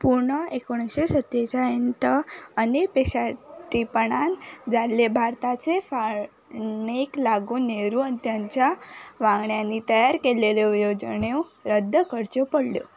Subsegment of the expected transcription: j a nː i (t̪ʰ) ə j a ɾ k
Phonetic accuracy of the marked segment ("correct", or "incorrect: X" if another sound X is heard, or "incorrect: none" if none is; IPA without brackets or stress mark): incorrect: t̪